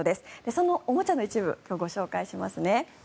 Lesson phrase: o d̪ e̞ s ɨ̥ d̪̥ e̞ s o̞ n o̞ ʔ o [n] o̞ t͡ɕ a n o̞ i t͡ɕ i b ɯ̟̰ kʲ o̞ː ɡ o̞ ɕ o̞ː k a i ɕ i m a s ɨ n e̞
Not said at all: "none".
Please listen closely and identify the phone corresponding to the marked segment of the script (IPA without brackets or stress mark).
m